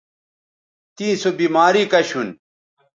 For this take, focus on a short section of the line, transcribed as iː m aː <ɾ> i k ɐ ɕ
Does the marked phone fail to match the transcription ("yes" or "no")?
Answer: no